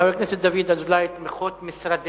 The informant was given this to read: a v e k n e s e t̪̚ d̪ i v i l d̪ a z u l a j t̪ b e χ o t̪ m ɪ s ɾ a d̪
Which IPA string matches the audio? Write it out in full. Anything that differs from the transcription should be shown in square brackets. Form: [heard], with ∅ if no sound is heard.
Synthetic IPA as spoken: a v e k n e s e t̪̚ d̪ [a] v i [∅] d̪ a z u l a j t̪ [m] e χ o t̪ m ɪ s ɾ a d̪